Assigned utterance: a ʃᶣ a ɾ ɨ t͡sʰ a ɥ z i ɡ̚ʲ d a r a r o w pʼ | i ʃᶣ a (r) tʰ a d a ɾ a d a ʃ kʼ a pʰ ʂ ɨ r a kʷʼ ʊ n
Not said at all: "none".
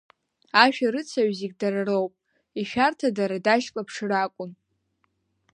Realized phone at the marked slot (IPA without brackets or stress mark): r